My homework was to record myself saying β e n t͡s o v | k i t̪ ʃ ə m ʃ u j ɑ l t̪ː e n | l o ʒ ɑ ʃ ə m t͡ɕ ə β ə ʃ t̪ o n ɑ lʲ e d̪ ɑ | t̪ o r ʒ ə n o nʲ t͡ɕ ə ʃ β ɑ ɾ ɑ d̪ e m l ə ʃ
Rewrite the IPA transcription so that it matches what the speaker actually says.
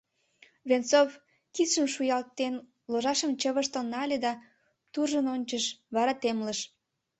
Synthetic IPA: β e n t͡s o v | k i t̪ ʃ ə m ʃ u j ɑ l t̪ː e n | l o ʒ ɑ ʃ ə m t͡ɕ ə β ə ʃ t̪ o n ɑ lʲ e d̪ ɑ | t̪ u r ʒ ə n o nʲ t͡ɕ ə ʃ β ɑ ɾ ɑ t̪ e m l ə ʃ

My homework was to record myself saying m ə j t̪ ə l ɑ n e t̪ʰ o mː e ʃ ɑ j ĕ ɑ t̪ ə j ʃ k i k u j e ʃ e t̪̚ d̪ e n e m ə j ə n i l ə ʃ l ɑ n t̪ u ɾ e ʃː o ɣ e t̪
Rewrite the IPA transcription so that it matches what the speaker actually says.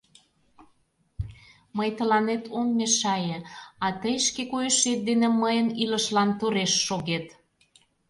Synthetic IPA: m ə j t̪ ə l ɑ n e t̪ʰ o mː e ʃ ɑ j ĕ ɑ t̪ ə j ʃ k e k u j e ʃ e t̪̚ d̪ e n e m ə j ə n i l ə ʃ l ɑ n t̪ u ɾ e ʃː o ɣ e t̪

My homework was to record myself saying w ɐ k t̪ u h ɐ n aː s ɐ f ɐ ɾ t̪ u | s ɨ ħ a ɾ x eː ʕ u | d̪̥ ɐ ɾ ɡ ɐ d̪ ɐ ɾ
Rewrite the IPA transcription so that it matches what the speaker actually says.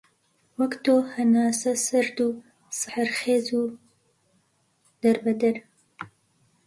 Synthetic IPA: w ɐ k t̪ o h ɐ n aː s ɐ s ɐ ɾ d̪ u | s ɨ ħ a ɾ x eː z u | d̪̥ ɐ ɾ b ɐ d̪ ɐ ɾ

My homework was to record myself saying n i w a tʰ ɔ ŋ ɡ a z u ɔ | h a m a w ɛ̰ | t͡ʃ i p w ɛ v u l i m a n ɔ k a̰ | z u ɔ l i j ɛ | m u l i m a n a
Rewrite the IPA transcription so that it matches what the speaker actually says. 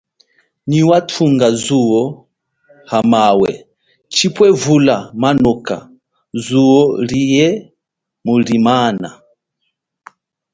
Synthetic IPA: n i w a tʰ u ŋ ɡ a z u ɔ | h a m a w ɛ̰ | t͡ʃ i p w ɛ v u l a m a n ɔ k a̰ | z u ɔ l i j ɛ | m u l i m a n a

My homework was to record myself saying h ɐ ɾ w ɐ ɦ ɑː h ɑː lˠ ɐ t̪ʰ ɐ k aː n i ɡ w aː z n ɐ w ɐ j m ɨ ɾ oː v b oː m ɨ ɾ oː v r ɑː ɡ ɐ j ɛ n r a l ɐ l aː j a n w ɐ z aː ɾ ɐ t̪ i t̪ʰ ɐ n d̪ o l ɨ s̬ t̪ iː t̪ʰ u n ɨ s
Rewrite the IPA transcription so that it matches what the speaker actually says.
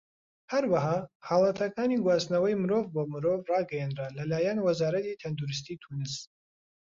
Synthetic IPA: h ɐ ɾ w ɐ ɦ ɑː h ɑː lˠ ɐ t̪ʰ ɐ k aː n i ɡ w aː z n ɐ w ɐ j m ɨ ɾ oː v b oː m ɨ ɾ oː v r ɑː ɡ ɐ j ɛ n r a l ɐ l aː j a n w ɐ z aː ɾ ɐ t̪ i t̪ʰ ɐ n d̪ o ɾ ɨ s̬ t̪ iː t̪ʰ u n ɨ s

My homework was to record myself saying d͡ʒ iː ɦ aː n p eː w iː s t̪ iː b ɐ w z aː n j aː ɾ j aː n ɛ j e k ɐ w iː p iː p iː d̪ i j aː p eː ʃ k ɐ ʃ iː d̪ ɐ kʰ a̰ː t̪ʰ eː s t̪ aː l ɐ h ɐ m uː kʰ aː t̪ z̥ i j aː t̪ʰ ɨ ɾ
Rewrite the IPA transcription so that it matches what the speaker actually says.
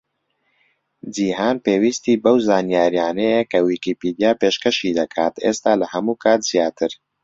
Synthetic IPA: d͡ʒ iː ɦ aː n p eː w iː s t̪ iː b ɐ w z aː n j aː ɾ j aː n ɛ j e k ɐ w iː k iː p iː d̪ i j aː p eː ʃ k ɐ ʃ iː d̪ ɐ kʰ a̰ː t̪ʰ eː s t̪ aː l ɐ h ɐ m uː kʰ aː t̪ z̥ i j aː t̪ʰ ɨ ɾ

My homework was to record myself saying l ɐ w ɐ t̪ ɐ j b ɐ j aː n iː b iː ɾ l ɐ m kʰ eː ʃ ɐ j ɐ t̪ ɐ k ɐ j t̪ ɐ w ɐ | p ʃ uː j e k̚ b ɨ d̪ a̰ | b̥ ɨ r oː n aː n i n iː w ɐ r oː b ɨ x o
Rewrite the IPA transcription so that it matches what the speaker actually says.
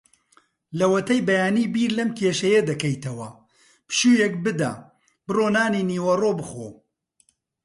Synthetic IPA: l ɐ w ɐ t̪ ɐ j b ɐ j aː n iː b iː ɾ l ɐ m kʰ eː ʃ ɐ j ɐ d̪ ɐ k ɐ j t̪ ɐ w ɐ | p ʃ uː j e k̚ b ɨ d̪ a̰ | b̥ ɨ r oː n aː n i n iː w ɐ r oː b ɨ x o

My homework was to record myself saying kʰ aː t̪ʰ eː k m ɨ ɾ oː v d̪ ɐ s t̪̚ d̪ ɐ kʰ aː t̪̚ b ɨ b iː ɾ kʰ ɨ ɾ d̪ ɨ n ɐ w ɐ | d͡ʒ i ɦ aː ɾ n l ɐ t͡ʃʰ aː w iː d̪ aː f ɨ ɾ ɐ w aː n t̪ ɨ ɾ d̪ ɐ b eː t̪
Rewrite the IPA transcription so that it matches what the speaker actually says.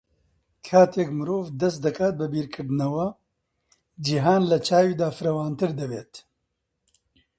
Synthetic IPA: kʰ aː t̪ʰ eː k m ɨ ɾ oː v d̪ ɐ s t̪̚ d̪ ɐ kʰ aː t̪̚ b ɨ b iː ɾ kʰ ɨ ɾ d̪ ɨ n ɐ w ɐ | d͡ʒ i ɦ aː n l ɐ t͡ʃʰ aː w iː d̪ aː f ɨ ɾ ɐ w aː n t̪ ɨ ɾ d̪ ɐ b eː t̪

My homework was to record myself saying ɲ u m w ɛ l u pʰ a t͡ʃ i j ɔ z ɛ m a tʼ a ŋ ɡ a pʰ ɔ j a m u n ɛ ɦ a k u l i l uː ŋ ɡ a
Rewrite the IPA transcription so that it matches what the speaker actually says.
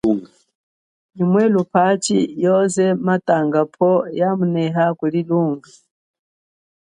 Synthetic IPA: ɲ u m w ɛ l u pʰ a t͡ʃ i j ɔ z ɛ m a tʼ a ŋ ɡ a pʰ ɔ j a m u n ɛ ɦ a k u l i l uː ŋ ɡ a

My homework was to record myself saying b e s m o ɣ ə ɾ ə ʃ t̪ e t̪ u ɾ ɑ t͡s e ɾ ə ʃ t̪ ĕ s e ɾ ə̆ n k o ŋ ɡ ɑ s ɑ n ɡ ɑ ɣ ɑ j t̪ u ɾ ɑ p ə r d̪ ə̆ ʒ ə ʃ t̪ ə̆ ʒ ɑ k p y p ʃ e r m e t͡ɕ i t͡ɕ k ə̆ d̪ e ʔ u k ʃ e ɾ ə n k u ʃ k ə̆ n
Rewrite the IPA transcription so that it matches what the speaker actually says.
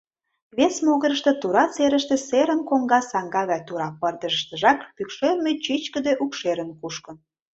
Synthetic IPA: β e s m o ɣ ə ɾ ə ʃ t̪ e t̪ u ɾ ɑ t͡s e ɾ ə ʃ t̪ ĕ s e ɾ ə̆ n k o ŋ ɡ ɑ s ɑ ŋ ɡ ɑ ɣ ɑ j t̪ u ɾ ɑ p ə r d̪ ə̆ ʒ ə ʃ t̪ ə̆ ʒ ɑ k p y k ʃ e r m e t͡ɕ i t͡ɕ k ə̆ d̪ e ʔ u k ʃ e ɾ ə n k u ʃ k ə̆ n

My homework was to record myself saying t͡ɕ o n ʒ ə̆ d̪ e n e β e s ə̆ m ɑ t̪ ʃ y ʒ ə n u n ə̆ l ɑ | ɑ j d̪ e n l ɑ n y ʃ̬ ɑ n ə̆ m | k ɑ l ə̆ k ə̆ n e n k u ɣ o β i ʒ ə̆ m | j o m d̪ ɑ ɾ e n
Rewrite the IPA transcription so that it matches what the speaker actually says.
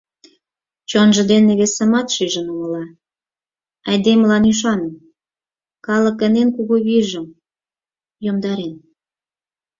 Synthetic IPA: t͡ɕ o n ʒ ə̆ d̪ e n e β e s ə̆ m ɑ t̪ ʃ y ʒ ə n u m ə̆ l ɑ | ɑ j d̪ e m l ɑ n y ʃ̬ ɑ n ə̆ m | k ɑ l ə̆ k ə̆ n e n k u ɣ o β i ʒ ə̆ m | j o m d̪ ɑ ɾ e n

